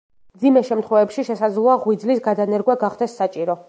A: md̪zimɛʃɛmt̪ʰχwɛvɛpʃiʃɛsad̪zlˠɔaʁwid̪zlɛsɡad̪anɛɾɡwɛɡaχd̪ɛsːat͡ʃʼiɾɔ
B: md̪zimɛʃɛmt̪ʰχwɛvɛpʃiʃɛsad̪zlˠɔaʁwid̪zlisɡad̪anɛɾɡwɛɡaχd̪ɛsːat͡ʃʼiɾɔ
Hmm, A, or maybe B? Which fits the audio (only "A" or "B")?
B